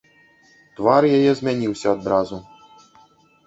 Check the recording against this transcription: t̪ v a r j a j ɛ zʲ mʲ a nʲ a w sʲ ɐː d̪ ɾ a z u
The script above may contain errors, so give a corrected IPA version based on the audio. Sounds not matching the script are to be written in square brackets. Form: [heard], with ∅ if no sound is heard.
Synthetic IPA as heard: t̪ v a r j a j ɛ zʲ mʲ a nʲ [i] w sʲ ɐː d̪ ɾ a z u